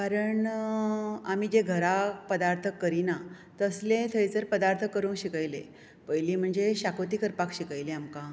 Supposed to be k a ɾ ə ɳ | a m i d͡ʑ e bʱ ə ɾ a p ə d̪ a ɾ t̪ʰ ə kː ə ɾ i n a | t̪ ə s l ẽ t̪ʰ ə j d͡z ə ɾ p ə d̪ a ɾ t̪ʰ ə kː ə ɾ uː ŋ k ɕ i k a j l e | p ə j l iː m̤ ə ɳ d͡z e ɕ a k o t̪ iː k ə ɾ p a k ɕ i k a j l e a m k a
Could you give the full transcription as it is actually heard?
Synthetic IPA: k a ɾ ə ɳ | a m i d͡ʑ e ɡʱ ə ɾ a p ə d̪ a ɾ t̪ʰ ə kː ə ɾ i n a | t̪ ə s l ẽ t̪ʰ ə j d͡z ə ɾ p ə d̪ a ɾ t̪ʰ ə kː ə ɾ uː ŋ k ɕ i k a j l e | p ə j l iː m̤ ə ɳ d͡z e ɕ a k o t̪ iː k ə ɾ p a k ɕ i k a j l e a m k a